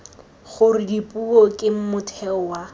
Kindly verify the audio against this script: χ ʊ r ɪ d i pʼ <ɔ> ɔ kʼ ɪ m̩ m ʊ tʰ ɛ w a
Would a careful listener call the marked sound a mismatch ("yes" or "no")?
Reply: yes